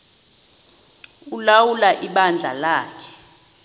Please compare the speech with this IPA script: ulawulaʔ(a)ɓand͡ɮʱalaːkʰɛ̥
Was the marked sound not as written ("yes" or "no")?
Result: yes